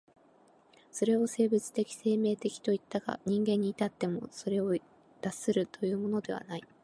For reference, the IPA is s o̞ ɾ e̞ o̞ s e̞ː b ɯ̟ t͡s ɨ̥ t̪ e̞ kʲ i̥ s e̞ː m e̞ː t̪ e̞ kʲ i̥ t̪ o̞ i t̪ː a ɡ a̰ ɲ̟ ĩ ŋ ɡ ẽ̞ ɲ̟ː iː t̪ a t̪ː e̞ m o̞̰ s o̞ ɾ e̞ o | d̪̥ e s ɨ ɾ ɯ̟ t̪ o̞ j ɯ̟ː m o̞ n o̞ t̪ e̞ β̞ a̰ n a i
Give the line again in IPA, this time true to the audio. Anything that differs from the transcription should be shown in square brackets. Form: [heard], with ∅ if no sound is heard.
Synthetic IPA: s o̞ ɾ e̞ o̞ s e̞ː b ɯ̟ t͡s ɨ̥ t̪ e̞ kʲ i̥ s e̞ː m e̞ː t̪ e̞ kʲ i̥ t̪ o̞ i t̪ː a ɡ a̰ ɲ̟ ĩ ŋ ɡ ẽ̞ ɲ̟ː iː t̪ a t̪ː e̞ m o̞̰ s o̞ ɾ e̞ o | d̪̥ [a] s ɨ ɾ ɯ̟ t̪ o̞ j ɯ̟ː m o̞ n o̞ [d̪] e̞ β̞ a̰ n a i

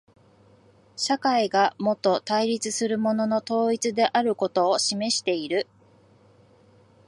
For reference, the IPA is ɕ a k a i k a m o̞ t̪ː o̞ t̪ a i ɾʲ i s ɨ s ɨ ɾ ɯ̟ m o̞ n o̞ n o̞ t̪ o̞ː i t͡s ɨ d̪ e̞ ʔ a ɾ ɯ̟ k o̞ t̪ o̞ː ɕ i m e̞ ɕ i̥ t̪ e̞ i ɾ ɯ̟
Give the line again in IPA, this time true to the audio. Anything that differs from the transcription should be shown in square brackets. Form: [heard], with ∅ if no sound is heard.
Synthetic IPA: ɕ a k a i [ɡ] a m o̞ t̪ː o̞ t̪ a i ɾʲ i [t͡s] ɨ s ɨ ɾ ɯ̟ m o̞ n o̞ n o̞ t̪ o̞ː i t͡s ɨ d̪ e̞ ʔ a ɾ ɯ̟ k o̞ t̪ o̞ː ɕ i m e̞ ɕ i̥ t̪ e̞ i ɾ ɯ̟

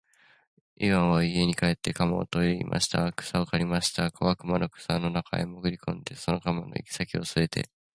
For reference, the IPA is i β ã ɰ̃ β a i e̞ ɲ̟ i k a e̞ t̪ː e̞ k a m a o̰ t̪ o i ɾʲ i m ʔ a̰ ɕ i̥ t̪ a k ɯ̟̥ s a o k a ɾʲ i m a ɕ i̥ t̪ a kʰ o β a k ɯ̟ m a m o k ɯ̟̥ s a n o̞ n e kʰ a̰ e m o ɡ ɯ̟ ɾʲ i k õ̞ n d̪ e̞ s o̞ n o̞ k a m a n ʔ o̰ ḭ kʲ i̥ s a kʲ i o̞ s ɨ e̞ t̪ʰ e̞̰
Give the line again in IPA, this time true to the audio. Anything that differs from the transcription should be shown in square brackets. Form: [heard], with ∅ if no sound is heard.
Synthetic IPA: i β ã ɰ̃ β a i e̞ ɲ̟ i k a e̞ t̪ː e̞ k a m a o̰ t̪ o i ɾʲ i m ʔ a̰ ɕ i̥ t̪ a k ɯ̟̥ s a o k a ɾʲ i m a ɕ i̥ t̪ a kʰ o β a k ɯ̟ m a [n] o k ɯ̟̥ s a n o̞ n [a] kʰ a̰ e m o ɡ ɯ̟ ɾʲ i k õ̞ n d̪ e̞ s o̞ n o̞ k a m a n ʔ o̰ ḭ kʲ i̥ s a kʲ i o̞ s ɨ e̞ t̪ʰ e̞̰

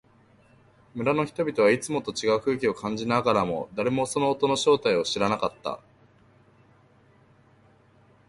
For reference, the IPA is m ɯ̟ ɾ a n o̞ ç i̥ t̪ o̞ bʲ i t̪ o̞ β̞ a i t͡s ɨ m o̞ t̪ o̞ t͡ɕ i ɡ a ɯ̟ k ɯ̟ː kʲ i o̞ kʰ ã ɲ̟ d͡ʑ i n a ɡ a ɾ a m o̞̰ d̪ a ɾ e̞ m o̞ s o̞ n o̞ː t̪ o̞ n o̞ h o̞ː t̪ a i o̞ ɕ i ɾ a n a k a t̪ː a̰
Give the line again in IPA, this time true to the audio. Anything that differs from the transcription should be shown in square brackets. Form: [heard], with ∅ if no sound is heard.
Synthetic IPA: m ɯ̟ ɾ a n o̞ ç i̥ t̪ o̞ bʲ i t̪ o̞ β̞ a i t͡s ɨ m o̞ t̪ o̞ t͡ɕ i ɡ a ɯ̟ k ɯ̟ː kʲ i o̞ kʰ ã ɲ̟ d͡ʑ i n a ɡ a ɾ a m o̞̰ d̪ a ɾ e̞ m o̞ s o̞ n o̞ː t̪ o̞ n o̞ [ɕ] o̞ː t̪ a i o̞ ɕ i ɾ a n a k a t̪ː a̰

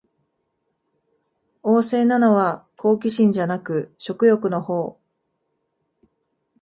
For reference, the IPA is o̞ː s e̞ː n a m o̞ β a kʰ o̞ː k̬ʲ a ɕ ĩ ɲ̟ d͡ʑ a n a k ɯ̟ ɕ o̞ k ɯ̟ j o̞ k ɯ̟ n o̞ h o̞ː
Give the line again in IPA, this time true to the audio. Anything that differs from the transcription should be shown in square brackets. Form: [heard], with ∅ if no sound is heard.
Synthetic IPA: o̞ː s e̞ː n a [n] o̞ β a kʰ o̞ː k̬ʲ [i] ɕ ĩ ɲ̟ d͡ʑ a n a k ɯ̟ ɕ o̞ k ɯ̟ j o̞ k ɯ̟ n o̞ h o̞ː

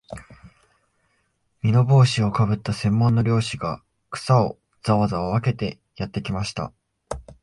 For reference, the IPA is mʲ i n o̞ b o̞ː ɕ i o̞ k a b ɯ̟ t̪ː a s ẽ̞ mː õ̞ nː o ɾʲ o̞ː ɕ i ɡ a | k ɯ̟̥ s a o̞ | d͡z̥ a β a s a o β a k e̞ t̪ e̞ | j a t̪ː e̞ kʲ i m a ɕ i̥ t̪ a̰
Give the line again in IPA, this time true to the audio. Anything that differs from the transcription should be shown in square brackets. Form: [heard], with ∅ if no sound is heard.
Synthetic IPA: mʲ i n o̞ b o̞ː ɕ i o̞ k a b ɯ̟ t̪ː a s ẽ̞ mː õ̞ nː o ɾʲ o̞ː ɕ i ɡ a | k ɯ̟̥ s a o̞ | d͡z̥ a β a [z] a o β a k e̞ t̪ e̞ | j a t̪ː e̞ kʲ i m a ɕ i̥ t̪ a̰

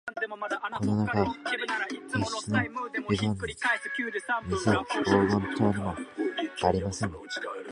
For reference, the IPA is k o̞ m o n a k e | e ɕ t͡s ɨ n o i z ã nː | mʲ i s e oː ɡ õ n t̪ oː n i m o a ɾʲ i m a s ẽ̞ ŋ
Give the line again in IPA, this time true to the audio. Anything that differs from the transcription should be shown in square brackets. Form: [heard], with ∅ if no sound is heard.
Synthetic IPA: k o̞ [n] o n a k [a] | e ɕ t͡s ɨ n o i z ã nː | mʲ i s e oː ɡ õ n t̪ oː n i m o a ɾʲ i m a s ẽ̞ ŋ

